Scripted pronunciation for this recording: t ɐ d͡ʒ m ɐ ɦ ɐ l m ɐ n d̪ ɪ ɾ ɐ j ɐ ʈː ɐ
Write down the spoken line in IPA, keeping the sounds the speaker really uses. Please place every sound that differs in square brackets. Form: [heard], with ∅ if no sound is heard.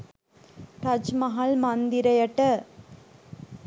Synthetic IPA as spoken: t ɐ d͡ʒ m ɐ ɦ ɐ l m ɐ n d̪ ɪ ɾ ɐ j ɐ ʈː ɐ